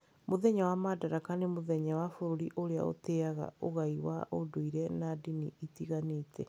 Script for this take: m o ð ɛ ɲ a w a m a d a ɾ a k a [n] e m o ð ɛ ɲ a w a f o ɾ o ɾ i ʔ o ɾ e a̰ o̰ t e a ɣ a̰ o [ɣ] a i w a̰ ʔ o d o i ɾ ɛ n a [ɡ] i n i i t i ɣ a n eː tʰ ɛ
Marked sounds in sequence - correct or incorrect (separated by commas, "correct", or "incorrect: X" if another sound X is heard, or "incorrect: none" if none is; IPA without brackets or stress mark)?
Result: correct, correct, incorrect: d